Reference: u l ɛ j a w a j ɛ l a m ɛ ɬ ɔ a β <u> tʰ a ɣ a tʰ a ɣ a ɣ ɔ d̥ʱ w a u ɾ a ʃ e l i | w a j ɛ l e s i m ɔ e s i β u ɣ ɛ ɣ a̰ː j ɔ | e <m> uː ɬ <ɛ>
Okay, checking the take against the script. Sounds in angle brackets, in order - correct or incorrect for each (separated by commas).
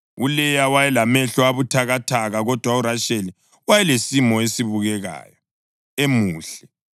correct, correct, correct